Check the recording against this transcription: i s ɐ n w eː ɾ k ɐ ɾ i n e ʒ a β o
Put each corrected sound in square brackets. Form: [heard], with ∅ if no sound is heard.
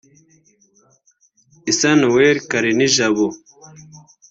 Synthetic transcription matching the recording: i s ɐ n w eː ɾ k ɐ ɾ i n [i] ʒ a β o